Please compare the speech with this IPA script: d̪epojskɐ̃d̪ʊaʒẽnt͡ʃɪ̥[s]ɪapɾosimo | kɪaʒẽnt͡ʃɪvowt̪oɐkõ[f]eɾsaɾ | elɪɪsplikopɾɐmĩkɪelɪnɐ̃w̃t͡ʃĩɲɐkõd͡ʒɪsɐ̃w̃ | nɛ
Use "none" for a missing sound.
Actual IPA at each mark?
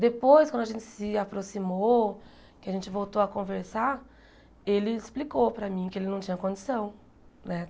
s, v

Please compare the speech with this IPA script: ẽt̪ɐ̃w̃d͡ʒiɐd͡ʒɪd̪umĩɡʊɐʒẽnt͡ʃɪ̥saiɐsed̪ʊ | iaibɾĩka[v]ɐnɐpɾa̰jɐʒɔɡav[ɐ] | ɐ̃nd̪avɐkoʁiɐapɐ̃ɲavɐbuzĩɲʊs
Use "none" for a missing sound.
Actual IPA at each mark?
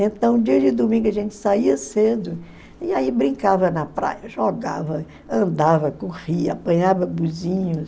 v, ɐ

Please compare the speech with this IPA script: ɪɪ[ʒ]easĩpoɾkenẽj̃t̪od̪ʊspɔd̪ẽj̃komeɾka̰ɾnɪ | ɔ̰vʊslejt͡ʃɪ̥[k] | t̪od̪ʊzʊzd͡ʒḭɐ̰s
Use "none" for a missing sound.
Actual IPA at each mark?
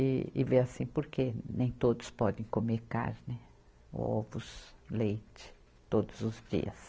v, none

